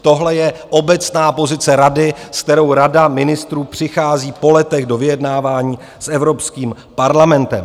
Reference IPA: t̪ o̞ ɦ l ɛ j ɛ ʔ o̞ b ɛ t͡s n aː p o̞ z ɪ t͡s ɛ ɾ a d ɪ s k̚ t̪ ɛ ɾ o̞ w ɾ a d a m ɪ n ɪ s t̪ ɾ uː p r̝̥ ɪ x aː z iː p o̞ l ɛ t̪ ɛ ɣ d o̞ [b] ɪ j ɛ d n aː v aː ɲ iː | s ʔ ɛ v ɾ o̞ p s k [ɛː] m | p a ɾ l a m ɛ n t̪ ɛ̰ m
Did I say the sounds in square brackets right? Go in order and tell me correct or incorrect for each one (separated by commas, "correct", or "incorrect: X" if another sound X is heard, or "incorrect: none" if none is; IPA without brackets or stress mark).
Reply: incorrect: v, incorrect: iː